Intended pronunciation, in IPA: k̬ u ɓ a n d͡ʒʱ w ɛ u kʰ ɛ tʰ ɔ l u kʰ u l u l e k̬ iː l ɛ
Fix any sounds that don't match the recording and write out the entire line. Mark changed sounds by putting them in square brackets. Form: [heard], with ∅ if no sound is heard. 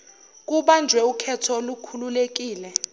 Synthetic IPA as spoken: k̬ u ɓ a n d͡ʒʱ w ɛ u kʰ ɛ tʰ ɔ l u kʰ u l u l e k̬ iː l ɛ